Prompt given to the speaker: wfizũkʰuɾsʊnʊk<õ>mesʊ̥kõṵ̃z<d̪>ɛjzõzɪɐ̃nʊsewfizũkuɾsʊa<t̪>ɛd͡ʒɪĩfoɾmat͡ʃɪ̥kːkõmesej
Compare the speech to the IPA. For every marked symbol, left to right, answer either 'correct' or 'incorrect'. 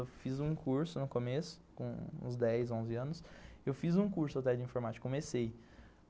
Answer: incorrect: o, correct, correct

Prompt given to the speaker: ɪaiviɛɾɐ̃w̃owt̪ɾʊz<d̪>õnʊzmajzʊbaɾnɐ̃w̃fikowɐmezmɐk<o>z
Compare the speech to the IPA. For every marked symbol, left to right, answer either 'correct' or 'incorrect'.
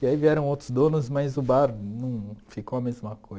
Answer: correct, correct

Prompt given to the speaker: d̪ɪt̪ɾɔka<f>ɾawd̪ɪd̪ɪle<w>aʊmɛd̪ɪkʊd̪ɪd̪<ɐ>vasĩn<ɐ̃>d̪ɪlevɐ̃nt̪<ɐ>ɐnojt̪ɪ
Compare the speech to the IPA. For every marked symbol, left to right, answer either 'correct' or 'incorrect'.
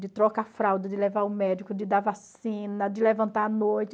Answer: correct, incorrect: v, incorrect: a, incorrect: ɐ, incorrect: a

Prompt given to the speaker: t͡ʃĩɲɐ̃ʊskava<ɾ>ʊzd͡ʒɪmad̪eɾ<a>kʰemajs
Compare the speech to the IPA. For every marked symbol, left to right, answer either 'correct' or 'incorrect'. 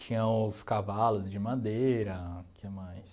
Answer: incorrect: l, incorrect: ɐ

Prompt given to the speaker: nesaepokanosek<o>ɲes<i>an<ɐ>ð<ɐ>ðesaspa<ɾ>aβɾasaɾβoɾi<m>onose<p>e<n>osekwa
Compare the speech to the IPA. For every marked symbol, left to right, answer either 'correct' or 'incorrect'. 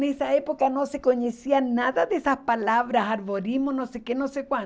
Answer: correct, correct, incorrect: a, incorrect: a, incorrect: l, correct, incorrect: k, correct

